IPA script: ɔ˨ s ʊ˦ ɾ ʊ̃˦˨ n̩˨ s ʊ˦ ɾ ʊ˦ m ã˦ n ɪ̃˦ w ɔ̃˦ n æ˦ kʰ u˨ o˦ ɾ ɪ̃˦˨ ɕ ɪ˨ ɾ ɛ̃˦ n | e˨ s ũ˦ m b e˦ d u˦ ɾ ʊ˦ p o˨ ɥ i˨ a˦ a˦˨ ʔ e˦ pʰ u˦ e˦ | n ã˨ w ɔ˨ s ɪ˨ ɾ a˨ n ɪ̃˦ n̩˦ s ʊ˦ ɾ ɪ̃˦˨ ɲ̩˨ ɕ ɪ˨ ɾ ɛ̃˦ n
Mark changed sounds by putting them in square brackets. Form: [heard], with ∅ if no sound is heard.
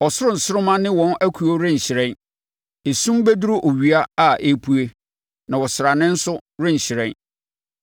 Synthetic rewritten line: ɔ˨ s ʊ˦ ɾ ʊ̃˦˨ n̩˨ s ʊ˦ ɾ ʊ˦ m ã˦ n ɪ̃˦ w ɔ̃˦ n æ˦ kʰ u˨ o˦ ɾ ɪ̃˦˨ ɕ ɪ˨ ɾ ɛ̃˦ n | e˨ s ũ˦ m b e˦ d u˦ ɾ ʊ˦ [ʔ] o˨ ɥ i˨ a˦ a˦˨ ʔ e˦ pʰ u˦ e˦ | n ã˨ w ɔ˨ s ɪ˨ ɾ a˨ n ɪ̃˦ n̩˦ s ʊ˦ ɾ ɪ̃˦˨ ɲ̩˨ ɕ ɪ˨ ɾ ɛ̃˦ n